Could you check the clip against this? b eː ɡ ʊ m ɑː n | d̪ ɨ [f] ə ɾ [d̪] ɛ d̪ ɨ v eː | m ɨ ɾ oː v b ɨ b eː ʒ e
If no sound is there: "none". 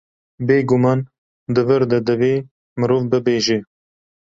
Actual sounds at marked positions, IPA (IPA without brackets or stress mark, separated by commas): v, d̪